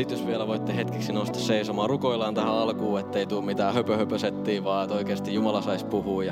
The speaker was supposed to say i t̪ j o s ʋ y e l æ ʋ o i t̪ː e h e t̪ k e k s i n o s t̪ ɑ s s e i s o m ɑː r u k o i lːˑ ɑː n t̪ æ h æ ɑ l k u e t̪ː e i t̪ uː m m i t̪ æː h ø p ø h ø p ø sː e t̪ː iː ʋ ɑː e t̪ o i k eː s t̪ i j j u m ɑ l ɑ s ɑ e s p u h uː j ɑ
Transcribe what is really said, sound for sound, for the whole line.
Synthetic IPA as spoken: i t̪ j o s ʋ i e l æ ʋ o i t̪ː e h e t̪ k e k s i n o s t̪ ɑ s s e i s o m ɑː r u k o i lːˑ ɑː n t̪ æ h æ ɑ l k uː e t̪ː e i t̪ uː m m i t̪ æː h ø p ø h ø p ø s e t̪ː iː ʋ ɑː e t̪ o i k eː s t̪ i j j u m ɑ l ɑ s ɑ i s p u h uː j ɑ